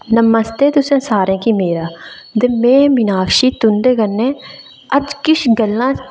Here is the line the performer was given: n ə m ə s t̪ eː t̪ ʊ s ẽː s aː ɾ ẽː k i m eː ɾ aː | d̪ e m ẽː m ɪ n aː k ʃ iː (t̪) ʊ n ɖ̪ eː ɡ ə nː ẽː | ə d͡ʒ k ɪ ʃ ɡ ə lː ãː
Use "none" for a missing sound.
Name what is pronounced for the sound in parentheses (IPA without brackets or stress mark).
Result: t̪